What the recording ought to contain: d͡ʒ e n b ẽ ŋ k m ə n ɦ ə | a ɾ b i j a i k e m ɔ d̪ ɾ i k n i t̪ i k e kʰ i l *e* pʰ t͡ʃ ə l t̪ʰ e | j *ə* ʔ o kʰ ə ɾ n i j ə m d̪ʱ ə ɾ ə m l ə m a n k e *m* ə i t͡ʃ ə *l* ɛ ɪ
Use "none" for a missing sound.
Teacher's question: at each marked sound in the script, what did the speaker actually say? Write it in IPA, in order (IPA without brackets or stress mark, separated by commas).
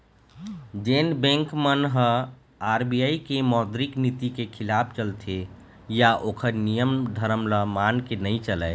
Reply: a, a, n, l